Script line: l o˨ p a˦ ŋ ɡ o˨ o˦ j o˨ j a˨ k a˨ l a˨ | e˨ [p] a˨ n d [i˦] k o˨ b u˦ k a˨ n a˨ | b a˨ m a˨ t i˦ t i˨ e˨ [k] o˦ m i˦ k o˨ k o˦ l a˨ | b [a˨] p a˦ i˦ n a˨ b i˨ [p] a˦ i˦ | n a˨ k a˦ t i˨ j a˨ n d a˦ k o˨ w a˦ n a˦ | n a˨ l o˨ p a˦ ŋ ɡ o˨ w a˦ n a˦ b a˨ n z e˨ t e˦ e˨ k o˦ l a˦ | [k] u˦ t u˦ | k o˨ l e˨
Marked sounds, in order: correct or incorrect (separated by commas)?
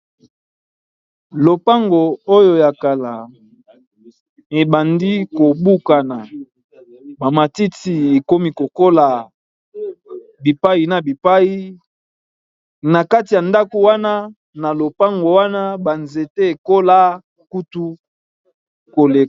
incorrect, correct, correct, incorrect, correct, correct